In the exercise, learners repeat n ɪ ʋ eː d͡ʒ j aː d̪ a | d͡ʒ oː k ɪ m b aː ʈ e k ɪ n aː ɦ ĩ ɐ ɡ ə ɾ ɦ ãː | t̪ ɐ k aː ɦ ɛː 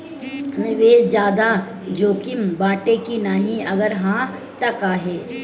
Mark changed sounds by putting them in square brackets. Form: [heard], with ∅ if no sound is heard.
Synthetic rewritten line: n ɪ ʋ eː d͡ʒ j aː d̪ a | d͡ʒ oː k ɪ m b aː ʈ e k [i] n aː ɦ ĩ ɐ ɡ ə ɾ ɦ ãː | t̪ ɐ k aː ɦ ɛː